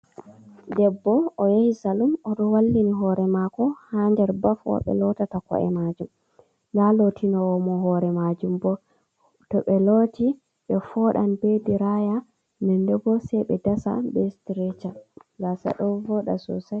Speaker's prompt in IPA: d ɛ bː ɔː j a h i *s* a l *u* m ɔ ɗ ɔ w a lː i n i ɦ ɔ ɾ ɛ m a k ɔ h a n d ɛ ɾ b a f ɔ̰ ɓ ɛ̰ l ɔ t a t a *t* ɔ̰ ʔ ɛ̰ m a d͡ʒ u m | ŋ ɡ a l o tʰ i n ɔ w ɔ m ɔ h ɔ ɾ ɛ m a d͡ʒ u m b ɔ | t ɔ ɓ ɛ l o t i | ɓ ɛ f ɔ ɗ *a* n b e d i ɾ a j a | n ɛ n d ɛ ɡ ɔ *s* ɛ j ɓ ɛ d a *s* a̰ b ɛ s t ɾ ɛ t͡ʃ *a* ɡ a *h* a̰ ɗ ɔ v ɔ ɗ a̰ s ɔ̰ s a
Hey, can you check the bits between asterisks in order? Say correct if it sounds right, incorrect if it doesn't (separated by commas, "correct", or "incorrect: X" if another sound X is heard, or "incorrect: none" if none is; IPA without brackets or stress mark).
correct, correct, incorrect: k, correct, correct, correct, correct, incorrect: s